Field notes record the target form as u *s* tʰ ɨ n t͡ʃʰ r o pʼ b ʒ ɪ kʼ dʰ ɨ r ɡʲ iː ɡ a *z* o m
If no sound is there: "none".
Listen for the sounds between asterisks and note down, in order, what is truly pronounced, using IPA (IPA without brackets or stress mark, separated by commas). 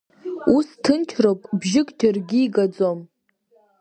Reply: s, d͡z